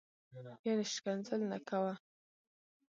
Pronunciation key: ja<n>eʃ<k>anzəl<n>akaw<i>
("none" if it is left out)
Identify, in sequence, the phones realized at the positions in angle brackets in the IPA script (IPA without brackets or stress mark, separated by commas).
n, k, n, a